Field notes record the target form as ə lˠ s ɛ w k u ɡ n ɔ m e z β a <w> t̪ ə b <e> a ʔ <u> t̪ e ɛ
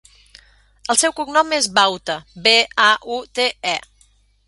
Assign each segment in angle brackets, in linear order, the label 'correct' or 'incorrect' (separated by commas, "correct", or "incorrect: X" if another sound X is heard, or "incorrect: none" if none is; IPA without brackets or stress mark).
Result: correct, correct, correct